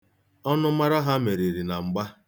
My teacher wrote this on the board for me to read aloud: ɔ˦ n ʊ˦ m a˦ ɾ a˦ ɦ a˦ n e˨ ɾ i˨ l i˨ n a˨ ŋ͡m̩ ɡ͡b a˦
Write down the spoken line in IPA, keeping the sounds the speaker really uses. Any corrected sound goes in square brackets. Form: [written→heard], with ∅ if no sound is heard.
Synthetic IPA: ɔ˦ n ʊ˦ m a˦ ɾ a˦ ɦ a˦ [n→m] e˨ ɾ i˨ [l→ɾ] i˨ n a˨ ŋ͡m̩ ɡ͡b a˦